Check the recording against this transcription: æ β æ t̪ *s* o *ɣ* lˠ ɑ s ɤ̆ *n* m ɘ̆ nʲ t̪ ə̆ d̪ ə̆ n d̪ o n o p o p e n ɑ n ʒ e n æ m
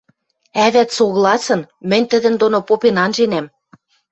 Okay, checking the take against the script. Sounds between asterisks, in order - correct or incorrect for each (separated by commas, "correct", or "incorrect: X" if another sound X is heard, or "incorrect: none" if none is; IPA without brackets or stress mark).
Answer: correct, correct, correct